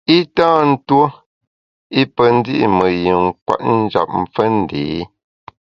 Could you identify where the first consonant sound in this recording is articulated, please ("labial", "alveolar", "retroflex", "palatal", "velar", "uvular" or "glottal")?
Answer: alveolar